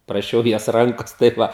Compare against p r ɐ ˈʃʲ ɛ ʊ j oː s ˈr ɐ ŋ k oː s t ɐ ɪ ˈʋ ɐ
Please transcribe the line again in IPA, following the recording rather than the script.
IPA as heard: p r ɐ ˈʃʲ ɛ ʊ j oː s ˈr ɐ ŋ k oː s t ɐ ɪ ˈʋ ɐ